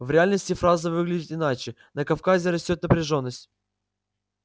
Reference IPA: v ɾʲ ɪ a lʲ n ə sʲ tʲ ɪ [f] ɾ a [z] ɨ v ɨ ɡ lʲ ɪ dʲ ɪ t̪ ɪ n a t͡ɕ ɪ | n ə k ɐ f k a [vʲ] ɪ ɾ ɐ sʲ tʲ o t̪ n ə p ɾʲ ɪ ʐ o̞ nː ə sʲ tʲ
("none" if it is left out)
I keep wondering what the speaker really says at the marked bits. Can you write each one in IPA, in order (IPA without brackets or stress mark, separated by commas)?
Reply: f, z, zʲ